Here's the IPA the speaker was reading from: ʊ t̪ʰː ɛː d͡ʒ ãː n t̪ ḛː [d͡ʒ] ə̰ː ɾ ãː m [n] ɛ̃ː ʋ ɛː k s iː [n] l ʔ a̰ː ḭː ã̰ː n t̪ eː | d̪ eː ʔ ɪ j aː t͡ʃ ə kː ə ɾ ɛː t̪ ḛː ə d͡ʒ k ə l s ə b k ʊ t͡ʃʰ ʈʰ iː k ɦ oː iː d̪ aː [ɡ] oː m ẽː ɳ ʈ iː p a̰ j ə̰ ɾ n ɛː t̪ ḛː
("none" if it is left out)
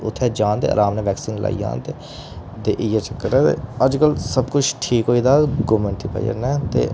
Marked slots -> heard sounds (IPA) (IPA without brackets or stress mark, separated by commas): none, n, n, ɡ